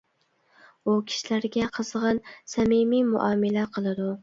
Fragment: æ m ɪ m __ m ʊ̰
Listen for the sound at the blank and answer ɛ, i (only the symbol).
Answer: i